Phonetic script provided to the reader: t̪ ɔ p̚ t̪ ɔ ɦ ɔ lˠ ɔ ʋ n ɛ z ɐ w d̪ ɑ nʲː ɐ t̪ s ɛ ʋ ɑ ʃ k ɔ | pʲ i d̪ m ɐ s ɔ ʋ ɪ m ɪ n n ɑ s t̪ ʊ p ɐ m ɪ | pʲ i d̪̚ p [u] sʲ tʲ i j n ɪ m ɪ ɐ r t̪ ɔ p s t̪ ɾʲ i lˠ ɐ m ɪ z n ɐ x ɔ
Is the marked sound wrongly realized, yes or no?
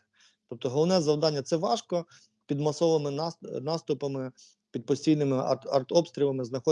yes